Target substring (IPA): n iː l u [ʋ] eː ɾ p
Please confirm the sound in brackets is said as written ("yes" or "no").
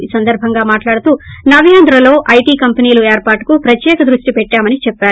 no